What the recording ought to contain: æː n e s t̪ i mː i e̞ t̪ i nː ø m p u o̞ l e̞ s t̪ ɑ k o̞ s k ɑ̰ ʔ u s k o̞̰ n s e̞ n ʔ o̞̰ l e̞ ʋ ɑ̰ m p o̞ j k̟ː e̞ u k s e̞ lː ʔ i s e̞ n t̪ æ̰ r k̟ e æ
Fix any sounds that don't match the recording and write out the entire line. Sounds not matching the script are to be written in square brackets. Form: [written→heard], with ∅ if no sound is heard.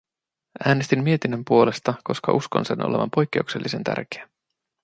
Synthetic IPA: æː n e s t̪ i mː i e̞ t̪ i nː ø m p u o̞ l e̞ s t̪ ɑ k o̞ s k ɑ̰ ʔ u s k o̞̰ n s e̞ n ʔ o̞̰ l e̞ ʋ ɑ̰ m p o̞ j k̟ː e̞ u k s e̞ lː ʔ i s e̞ n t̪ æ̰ r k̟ e æ